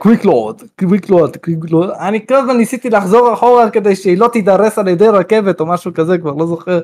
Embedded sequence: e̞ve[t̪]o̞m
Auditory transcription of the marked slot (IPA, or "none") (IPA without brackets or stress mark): t̪